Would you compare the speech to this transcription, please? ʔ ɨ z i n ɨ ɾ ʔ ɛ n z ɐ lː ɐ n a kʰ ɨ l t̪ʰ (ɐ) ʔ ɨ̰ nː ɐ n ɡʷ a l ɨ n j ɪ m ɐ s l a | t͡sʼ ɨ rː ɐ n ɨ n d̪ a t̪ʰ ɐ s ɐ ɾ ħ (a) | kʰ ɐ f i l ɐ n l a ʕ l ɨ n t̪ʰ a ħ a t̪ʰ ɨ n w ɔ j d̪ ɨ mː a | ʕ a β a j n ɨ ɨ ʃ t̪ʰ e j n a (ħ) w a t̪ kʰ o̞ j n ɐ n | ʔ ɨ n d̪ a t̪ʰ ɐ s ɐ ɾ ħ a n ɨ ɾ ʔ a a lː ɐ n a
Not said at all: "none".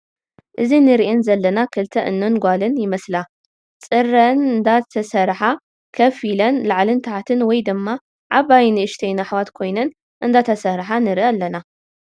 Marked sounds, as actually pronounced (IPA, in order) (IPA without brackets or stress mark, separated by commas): ɐ, a, ħ